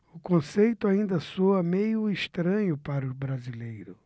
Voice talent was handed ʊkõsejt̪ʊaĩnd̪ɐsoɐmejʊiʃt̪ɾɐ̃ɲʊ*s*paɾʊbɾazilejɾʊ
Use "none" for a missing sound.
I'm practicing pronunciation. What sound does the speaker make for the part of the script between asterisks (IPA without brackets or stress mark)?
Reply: none